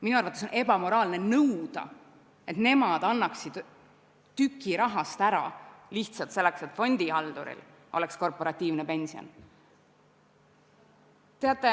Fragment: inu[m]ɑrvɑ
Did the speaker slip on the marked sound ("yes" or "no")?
yes